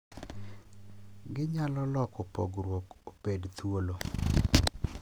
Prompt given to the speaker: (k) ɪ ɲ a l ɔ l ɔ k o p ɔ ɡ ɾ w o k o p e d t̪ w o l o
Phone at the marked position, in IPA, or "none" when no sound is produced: ɡ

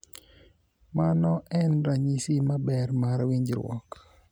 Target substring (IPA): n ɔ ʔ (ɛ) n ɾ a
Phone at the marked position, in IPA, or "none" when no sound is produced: ɛ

